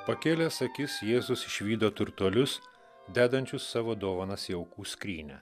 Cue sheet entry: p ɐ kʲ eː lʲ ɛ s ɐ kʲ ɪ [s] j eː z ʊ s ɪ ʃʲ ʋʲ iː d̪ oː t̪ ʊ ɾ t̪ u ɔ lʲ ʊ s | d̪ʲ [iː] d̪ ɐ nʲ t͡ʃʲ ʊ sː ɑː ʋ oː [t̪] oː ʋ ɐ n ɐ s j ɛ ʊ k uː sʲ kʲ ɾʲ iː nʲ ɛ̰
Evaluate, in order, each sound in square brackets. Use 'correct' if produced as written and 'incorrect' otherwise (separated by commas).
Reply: correct, incorrect, incorrect